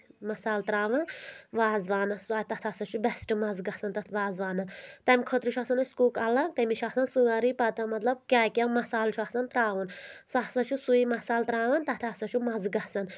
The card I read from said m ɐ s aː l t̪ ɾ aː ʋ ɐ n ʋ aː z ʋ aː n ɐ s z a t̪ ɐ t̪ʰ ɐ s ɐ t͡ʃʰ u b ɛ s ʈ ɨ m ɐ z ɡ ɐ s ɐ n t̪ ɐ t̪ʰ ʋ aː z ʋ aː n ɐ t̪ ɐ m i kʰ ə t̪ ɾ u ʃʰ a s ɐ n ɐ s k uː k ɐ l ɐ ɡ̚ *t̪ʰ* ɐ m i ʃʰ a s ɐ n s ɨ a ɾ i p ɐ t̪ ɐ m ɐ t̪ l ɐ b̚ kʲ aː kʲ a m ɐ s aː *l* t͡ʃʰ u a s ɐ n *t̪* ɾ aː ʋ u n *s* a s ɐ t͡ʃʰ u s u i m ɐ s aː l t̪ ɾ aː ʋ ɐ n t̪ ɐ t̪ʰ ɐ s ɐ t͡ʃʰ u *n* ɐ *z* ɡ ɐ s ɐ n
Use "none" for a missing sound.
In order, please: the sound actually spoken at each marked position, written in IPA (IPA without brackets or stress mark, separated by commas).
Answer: t̪, l, t̪, s, m, z